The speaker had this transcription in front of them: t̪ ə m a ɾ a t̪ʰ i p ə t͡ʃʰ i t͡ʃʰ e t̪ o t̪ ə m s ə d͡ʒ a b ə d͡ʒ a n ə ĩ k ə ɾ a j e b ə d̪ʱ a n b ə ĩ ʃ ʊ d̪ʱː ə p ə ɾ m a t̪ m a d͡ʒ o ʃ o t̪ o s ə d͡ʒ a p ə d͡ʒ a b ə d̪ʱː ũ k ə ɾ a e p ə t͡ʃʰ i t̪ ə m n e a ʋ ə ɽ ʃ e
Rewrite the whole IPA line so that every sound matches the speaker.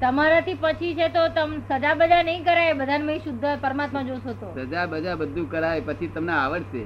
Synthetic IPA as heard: t̪ ə m a ɾ a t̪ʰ i p ə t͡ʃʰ i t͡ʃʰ e t̪ o t̪ ə m s ə d͡ʒ a b ə d͡ʒ a n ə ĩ k ə ɾ a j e b ə d̪ʱ a n m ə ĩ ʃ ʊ d̪ʱː ə p ə ɾ m a t̪ m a d͡ʒ o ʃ o t̪ o s ə d͡ʒ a b ə d͡ʒ a b ə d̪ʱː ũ k ə ɾ a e p ə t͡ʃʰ i t̪ ə m n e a ʋ ə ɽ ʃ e